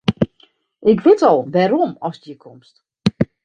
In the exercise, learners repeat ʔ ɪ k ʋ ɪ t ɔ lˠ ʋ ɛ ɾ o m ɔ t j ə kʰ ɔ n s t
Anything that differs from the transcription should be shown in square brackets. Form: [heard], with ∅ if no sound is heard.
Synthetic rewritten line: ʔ ɪ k ʋ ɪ t ɔ lˠ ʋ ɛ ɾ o m ɔ [s] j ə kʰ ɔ [m] s t